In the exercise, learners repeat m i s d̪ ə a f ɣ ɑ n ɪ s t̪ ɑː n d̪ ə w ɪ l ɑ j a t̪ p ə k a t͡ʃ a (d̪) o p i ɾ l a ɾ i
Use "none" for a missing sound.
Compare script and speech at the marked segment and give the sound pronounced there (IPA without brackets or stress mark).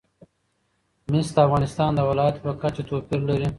t̪